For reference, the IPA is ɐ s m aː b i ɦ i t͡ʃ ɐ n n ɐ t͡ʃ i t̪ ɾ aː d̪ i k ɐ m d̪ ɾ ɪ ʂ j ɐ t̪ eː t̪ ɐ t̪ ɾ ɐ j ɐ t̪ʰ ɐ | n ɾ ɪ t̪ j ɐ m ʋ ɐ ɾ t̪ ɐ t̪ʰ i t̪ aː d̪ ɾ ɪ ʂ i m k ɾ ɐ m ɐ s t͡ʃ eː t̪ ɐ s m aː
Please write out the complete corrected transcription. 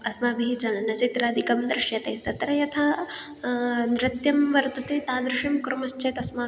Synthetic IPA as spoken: ɐ s m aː b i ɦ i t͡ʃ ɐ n n ɐ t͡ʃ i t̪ ɾ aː d̪ i k ɐ m d̪ ɾ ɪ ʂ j ɐ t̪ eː t̪ ɐ t̪ ɾ ɐ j ɐ t̪ʰ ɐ | n ɾ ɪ t̪ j ɐ m ʋ ɐ ɾ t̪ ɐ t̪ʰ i t̪ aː d̪ ɾ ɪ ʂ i m k ɾ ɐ m ɐ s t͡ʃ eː t̪ ɐ s m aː